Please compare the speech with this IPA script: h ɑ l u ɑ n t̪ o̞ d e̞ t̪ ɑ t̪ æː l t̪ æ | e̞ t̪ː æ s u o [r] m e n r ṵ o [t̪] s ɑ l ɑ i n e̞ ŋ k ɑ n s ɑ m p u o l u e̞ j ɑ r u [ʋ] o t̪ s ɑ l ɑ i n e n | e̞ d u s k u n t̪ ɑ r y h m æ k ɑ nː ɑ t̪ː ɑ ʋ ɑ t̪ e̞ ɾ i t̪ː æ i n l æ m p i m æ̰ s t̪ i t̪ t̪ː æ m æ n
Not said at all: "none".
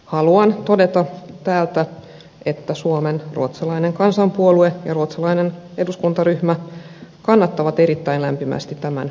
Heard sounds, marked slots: none, t̪, none

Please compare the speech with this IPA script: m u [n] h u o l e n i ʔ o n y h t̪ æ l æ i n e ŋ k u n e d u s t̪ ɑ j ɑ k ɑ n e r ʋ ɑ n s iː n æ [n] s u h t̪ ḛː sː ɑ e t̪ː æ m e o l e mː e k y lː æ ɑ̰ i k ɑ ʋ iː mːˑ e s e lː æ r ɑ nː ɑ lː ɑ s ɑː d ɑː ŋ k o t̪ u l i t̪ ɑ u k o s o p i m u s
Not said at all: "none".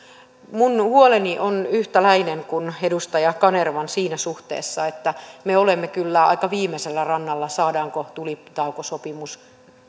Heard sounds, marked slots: n, none

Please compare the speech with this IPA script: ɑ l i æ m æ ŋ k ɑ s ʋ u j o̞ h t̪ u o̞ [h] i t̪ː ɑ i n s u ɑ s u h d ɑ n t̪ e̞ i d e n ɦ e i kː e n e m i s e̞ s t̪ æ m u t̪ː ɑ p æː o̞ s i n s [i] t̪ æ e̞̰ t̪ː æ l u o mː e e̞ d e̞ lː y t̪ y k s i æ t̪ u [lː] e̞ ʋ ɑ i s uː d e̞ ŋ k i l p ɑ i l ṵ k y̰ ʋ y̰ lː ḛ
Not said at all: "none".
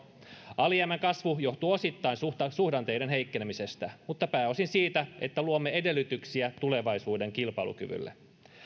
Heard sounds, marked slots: s, iː, l

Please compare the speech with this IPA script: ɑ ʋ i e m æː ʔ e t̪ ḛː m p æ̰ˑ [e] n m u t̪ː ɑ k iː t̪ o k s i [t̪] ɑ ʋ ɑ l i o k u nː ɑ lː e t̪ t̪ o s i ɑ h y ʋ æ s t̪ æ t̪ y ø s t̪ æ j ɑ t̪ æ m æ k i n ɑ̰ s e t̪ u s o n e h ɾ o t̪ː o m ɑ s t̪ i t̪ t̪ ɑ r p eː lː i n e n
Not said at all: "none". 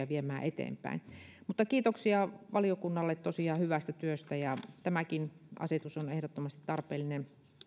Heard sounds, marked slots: i, none

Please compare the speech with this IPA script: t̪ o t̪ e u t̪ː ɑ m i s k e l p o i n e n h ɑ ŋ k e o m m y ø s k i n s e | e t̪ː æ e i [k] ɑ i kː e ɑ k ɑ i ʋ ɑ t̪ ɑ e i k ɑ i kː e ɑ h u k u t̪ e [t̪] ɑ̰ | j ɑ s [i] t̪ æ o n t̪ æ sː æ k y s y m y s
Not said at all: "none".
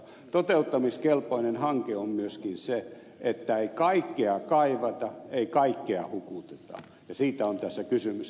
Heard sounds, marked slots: k, t̪, iː

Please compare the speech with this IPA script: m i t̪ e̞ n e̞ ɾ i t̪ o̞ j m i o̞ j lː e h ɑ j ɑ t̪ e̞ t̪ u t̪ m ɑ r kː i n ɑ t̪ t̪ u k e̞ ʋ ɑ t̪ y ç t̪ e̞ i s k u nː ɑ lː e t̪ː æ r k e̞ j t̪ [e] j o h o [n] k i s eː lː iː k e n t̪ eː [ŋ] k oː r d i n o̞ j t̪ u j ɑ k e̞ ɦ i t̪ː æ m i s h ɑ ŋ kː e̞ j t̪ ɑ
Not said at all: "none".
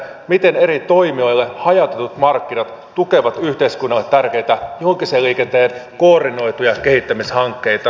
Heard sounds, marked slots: æ, ŋ, n

